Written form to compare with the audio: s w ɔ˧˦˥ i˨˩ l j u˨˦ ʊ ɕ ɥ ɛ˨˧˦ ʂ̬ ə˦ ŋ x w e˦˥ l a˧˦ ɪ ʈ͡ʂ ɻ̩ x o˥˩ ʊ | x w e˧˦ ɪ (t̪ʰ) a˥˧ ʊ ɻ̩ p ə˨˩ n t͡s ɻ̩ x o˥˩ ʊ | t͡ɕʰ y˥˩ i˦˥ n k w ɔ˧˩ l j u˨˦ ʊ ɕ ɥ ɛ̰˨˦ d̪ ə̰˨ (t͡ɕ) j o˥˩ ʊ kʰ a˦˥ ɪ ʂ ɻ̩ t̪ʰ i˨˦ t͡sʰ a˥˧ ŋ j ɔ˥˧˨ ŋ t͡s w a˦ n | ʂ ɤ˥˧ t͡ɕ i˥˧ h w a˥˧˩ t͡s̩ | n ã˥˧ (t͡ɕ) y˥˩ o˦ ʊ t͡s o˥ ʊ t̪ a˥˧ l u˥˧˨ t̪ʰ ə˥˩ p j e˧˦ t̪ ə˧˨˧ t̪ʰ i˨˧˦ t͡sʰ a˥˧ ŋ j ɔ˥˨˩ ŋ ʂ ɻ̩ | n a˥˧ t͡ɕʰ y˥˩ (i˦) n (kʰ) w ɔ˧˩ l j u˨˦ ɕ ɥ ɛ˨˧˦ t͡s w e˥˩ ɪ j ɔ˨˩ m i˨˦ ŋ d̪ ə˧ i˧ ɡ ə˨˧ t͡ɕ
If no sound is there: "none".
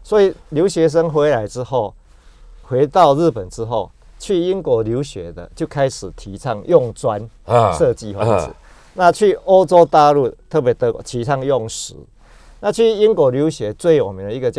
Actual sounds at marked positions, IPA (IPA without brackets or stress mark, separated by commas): t̪, t͡ɕ, t͡ɕʰ, i˦, k